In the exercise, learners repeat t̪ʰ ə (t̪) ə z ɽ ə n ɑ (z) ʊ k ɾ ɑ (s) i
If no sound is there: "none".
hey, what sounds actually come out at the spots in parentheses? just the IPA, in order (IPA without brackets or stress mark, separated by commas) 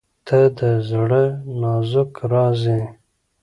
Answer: d̪, z, z